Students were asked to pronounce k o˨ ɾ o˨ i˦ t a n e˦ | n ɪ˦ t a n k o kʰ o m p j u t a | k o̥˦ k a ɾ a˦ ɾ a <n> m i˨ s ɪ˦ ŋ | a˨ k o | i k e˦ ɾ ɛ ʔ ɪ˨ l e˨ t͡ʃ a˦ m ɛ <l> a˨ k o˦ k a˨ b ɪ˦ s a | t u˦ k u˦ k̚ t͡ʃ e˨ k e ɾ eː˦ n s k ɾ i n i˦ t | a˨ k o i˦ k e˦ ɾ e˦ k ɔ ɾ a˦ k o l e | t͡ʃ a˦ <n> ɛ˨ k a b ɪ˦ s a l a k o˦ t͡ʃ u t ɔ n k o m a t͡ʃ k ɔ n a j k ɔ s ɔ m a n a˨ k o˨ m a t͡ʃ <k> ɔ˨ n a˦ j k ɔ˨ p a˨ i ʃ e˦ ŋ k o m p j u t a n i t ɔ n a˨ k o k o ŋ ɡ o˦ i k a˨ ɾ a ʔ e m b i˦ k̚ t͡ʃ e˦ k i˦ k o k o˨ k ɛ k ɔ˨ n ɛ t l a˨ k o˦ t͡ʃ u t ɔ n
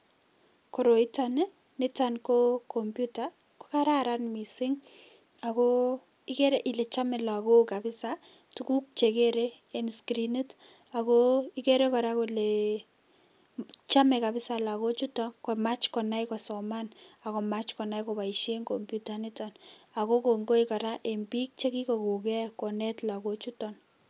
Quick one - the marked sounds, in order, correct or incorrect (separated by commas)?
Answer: correct, correct, incorrect, correct